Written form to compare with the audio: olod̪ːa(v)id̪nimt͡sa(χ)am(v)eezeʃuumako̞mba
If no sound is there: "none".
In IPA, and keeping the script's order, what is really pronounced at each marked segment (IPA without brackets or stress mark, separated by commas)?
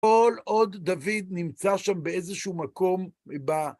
v, ʃ, b